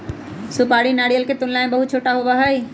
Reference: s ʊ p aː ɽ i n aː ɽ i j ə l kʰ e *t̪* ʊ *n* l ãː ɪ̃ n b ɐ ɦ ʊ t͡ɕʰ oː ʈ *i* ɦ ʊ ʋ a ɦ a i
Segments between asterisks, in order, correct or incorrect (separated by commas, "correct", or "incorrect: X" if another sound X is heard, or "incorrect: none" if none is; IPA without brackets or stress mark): correct, correct, incorrect: a